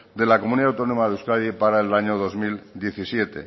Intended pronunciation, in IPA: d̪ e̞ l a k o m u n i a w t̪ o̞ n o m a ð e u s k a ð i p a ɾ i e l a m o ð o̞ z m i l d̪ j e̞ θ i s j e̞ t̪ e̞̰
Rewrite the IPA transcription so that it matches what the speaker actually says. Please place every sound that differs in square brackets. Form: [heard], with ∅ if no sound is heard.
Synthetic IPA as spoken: d̪ e̞ l a k o m u n i a w t̪ o̞ n o m a ð e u s k a ð i p a ɾ [a] e l a [ɲ] o ð o̞ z m i l d̪ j e̞ θ i s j e̞ t̪ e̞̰